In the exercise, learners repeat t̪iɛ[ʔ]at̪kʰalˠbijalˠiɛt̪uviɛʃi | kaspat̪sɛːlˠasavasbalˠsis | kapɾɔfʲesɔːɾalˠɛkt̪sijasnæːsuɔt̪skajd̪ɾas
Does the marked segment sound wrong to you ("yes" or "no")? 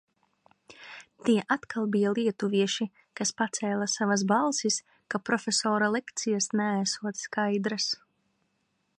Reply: no